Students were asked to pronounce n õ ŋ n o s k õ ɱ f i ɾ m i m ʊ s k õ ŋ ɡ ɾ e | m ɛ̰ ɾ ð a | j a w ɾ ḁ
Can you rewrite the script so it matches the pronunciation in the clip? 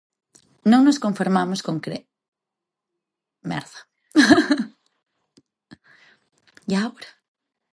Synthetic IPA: n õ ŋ n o s k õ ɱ f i ɾ m a m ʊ s k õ ŋ k ɾ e | m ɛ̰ ɾ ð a | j a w ɾ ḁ

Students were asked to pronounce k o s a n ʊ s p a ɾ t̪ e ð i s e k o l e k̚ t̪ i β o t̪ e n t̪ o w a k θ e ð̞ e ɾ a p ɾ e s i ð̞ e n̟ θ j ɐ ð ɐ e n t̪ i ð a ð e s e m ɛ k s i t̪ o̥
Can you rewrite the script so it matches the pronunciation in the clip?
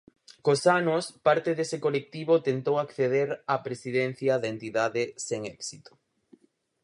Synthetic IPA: k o s a n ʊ s p a ɾ t̪ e ð e s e k o l e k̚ t̪ i β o t̪ e n t̪ o w a k θ e ð̞ e ɾ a p ɾ e s i ð̞ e n̟ θ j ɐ ð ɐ e n t̪ i ð a ð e s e ŋ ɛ k s i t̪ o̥

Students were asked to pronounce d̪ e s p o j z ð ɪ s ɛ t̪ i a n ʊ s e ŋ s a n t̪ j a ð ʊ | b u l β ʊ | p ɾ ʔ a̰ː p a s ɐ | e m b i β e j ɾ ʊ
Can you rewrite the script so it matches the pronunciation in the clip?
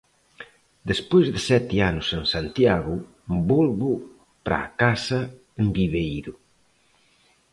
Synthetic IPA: d̪ e s p o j z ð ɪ s ɛ t̪ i a n ʊ s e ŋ s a n t̪ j a ɣ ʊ | b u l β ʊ | p ɾ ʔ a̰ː k a s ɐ | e m b i β e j ɾ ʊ

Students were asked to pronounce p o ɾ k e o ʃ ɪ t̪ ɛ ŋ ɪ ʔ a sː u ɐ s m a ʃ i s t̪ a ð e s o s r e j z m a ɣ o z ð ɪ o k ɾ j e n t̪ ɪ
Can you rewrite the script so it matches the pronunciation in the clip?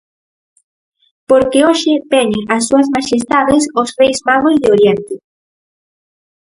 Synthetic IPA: p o ɾ k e o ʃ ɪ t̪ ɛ ɲ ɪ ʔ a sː u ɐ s m a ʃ e s t̪ a ð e s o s r e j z m a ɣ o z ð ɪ o ɾ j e n t̪ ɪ

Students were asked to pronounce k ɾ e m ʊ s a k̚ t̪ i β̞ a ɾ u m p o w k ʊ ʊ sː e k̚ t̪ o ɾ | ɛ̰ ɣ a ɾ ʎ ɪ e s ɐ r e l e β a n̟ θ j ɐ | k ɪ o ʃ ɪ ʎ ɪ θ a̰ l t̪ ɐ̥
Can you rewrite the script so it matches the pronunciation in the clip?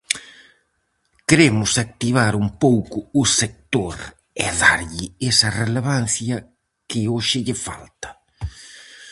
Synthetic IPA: k ɾ e m ʊ s a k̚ t̪ i β̞ a ɾ u m p o w k ʊ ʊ s e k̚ t̪ o ɾ | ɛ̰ ð a ɾ ʎ ɪ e s ɐ r e l e β a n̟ θ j ɐ | k ɪ o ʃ ɪ ʎ ɪ f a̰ l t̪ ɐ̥

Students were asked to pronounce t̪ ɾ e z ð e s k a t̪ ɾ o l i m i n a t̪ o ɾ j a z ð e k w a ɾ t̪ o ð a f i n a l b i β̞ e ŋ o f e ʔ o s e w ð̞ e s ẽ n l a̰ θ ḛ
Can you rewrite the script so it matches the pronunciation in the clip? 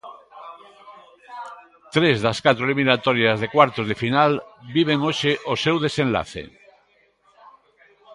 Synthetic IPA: t̪ ɾ e z ð a s k a t̪ ɾ o l i m i n a t̪ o ɾ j a z ð e k w a ɾ t̪ o ð e f i n a l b i β̞ e ŋ o ʃ e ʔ o s e w ð̞ e s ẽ n l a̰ θ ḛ

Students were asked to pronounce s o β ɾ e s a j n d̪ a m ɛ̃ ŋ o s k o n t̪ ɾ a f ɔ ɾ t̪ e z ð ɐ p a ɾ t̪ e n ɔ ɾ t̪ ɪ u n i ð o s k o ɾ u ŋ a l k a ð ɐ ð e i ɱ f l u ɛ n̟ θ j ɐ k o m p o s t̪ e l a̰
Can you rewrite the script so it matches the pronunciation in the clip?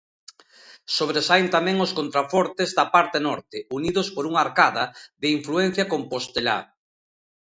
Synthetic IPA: s o β ɾ e s a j n t̪ a m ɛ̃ ŋ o s k o n t̪ ɾ a f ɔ ɾ t̪ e z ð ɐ p a ɾ t̪ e n ɔ ɾ t̪ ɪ u n i ð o s p o ɾ u ŋ a ɾ k a ð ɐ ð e i ɱ f l u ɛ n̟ θ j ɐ k o m p o s t̪ e l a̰

